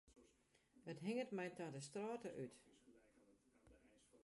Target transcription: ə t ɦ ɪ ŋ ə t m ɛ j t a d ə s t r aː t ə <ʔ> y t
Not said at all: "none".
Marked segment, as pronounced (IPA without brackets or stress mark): ʔ